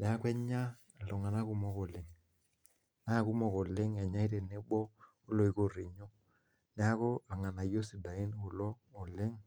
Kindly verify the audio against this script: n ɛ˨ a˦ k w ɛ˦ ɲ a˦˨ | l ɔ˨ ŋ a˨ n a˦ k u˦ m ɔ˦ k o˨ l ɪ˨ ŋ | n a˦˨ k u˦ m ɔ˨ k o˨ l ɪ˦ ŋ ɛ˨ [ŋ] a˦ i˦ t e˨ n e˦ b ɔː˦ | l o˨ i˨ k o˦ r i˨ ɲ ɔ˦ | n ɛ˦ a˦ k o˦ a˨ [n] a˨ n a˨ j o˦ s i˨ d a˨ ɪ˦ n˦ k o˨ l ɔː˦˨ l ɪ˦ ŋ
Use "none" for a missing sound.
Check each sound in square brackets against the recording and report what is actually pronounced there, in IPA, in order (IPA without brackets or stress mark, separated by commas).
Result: ɲ, ŋ